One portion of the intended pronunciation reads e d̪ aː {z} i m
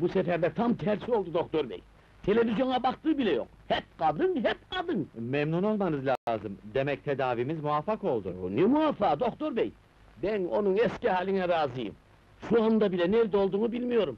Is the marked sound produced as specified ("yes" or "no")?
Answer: no